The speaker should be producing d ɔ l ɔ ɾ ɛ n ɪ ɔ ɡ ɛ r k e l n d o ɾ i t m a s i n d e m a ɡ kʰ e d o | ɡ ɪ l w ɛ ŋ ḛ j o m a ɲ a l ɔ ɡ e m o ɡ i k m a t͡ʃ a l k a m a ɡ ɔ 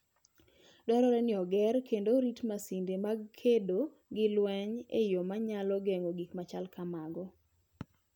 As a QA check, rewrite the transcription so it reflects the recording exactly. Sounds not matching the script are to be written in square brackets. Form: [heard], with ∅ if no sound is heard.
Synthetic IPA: d ɔ [ɾ] ɔ ɾ ɛ n ɪ ɔ ɡ ɛ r k e [∅] n d o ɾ i t m a s i n d e m a ɡ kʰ e d o | ɡ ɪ l w ɛ [ɲ] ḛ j o m a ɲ a l ɔ ɡ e [ŋ] o ɡ i k m a t͡ʃ a l k a m a ɡ ɔ